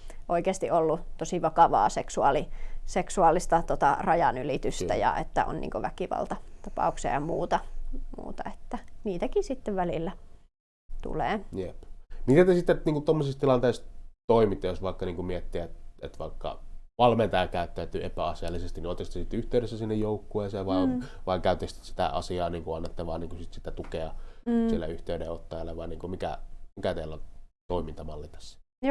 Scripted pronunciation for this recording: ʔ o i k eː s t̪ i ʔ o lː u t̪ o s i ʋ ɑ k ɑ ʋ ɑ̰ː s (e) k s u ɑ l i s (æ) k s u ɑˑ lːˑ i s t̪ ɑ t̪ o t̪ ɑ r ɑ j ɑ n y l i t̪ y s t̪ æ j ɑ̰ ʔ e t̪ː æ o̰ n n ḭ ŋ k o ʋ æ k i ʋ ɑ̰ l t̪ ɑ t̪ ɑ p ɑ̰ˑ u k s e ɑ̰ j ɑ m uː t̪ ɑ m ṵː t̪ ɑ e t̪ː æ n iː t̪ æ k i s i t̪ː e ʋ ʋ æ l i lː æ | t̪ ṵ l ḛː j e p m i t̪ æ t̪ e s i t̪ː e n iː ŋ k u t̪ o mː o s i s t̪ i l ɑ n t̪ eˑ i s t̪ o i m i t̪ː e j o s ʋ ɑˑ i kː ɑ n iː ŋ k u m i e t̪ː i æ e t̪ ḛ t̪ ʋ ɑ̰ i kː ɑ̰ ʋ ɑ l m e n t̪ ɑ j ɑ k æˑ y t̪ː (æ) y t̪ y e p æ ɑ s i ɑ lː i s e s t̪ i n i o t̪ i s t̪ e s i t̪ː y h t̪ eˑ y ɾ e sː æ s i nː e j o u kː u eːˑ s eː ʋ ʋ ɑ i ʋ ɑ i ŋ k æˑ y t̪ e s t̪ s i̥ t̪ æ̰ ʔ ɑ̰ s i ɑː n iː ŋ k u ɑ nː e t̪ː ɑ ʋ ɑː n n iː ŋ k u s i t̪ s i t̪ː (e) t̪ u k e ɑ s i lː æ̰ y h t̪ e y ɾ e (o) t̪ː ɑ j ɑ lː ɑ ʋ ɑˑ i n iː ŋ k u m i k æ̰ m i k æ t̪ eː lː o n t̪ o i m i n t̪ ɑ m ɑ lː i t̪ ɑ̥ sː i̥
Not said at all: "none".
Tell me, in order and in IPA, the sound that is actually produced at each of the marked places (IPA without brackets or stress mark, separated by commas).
e, e, æ, æ, o